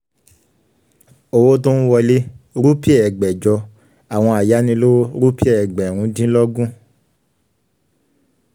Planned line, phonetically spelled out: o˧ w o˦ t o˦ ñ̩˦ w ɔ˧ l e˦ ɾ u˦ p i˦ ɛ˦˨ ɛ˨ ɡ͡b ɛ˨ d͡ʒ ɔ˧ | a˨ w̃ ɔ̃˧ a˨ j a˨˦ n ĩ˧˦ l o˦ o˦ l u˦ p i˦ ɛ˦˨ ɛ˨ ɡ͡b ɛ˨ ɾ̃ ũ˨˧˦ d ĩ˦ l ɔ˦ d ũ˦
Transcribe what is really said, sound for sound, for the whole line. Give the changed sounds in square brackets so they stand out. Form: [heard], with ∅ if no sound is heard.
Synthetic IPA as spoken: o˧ w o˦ t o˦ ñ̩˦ w ɔ˧ l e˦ ɾ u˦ p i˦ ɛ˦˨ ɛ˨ ɡ͡b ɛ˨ d͡ʒ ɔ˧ | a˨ w̃ ɔ̃˧ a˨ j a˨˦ n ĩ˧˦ l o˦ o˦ [ɾ] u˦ p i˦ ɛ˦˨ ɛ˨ ɡ͡b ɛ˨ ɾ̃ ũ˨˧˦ d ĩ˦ l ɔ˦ [ɡ] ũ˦